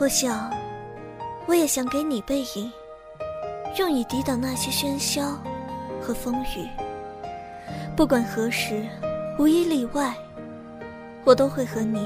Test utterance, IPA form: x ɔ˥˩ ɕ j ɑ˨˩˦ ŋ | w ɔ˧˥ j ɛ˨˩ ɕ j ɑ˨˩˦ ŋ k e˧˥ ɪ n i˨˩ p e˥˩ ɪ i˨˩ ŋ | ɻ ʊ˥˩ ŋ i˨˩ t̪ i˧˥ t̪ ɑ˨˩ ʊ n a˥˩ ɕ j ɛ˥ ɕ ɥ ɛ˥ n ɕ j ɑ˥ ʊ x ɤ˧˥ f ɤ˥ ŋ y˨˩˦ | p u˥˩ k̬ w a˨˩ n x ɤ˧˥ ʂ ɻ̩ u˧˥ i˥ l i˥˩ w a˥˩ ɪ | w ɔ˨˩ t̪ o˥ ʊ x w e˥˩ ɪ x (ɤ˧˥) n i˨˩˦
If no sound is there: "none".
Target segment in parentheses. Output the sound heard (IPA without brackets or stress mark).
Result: ɤ˧˥